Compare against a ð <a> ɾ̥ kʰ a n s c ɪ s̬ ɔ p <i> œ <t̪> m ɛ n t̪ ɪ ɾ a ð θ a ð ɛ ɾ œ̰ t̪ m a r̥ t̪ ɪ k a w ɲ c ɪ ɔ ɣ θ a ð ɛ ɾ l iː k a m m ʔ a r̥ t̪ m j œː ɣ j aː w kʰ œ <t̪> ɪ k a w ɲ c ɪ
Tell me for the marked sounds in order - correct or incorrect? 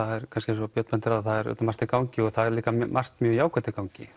incorrect, incorrect, correct, correct

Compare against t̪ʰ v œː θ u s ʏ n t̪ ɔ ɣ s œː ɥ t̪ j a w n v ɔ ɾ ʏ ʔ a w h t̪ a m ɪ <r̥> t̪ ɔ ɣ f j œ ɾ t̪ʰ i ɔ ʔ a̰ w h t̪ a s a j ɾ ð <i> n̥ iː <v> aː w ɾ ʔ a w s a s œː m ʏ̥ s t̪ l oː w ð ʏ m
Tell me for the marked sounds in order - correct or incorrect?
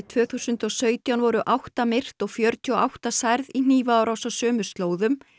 correct, correct, correct

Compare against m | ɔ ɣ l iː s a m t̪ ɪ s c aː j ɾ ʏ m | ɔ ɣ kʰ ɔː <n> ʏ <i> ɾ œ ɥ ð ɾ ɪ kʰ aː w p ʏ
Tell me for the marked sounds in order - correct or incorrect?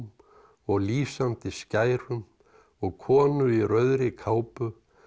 correct, correct

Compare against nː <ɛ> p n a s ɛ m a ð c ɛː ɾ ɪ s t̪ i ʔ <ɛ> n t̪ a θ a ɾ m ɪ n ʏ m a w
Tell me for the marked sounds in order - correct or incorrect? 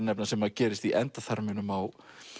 correct, correct

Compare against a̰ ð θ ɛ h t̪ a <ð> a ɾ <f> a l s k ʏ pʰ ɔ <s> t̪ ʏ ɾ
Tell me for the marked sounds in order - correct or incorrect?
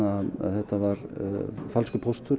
incorrect, correct, correct

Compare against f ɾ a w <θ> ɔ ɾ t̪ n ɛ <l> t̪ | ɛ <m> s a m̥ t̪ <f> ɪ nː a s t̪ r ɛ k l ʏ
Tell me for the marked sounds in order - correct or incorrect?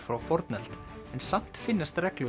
incorrect, correct, incorrect, correct

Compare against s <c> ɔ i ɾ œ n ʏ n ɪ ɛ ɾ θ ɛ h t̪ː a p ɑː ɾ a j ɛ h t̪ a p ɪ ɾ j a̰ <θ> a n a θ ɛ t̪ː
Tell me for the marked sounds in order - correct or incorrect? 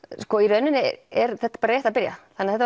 incorrect, correct

